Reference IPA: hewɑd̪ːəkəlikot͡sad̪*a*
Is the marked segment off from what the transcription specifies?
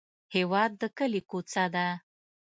no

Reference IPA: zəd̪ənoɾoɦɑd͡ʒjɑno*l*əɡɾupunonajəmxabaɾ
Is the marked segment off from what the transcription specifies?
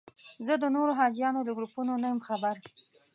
no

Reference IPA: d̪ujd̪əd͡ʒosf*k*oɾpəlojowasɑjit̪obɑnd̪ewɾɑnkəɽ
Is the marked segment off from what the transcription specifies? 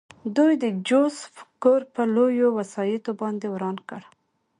no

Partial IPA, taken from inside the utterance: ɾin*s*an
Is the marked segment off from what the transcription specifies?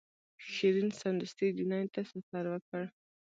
no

